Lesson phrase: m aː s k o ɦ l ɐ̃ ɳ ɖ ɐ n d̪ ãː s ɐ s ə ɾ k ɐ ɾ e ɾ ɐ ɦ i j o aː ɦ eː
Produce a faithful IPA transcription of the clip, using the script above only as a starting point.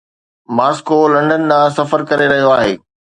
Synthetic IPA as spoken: m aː s k o l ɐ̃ ɳ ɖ ə n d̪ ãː s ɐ f ə ɾ k ɐ ɾ e ɾ ɐ ɦ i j o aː ɦ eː